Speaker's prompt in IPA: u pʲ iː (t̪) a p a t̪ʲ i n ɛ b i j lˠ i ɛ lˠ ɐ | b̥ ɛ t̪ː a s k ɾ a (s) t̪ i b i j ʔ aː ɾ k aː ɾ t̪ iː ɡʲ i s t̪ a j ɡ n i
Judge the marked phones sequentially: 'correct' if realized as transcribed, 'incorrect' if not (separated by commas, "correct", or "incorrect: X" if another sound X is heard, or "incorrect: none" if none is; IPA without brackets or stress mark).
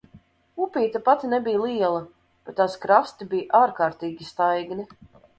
correct, correct